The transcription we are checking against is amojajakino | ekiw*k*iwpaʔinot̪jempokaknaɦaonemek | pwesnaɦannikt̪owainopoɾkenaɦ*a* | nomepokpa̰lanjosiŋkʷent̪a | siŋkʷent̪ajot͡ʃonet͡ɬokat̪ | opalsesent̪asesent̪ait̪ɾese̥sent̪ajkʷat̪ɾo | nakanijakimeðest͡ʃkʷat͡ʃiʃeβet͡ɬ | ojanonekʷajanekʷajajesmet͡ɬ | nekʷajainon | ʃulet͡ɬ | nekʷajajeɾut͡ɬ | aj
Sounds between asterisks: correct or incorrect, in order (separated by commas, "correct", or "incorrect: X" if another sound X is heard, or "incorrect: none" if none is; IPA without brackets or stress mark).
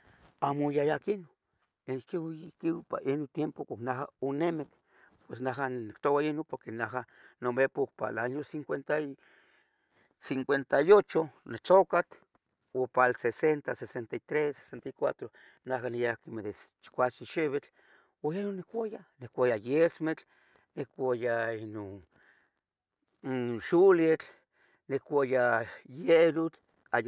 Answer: correct, correct